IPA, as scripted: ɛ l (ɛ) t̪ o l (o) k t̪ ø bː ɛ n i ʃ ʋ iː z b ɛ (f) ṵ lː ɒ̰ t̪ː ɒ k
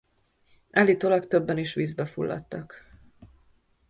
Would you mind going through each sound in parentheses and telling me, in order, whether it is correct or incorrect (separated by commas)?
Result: incorrect, incorrect, correct